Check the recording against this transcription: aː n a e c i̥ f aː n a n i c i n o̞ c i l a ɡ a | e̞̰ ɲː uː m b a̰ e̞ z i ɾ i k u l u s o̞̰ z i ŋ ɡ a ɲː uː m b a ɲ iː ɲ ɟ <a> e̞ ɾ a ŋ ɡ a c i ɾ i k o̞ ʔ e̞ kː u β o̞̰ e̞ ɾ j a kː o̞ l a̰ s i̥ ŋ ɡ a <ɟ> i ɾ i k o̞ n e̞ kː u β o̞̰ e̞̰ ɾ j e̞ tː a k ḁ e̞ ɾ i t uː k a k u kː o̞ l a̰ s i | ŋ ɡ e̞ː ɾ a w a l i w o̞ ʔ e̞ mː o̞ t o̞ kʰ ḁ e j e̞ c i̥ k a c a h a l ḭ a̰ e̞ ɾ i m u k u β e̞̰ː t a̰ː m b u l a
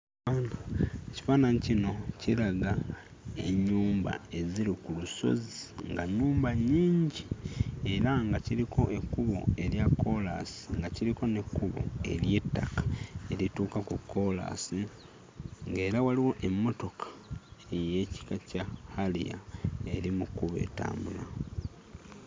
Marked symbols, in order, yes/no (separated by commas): no, no